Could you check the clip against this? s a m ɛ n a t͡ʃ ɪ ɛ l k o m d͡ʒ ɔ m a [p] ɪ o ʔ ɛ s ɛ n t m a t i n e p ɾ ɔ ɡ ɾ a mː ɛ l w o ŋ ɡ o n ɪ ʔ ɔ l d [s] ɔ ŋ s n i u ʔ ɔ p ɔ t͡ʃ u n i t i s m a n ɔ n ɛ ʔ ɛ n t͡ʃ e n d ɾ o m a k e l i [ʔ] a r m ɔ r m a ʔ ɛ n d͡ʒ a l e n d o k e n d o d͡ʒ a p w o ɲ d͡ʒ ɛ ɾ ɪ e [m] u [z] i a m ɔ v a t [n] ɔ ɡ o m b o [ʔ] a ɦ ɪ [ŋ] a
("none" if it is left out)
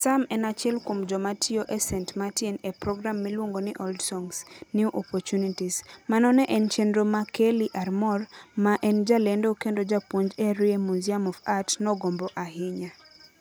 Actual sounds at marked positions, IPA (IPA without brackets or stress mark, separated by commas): t, s, ʔ, m, z, n, ʔ, ɲ